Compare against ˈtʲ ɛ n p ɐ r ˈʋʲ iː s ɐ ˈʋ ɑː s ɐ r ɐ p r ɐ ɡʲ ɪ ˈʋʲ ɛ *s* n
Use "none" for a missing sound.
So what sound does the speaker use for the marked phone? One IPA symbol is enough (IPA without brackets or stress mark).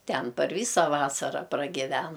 none